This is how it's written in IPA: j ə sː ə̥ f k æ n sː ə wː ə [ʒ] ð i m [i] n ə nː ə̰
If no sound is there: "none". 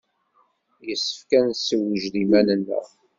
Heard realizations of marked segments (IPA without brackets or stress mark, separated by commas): ʒ, æ